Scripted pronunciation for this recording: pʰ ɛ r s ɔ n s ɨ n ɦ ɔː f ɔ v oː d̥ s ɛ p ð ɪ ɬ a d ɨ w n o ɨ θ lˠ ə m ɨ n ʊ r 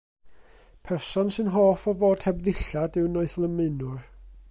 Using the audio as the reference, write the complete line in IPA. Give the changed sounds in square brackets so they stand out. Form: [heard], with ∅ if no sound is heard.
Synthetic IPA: pʰ ɛ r s ɔ n s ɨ n ɦ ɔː f ɔ v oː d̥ [h] ɛ [b] ð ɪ ɬ a d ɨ w n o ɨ θ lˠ ə m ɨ n ʊ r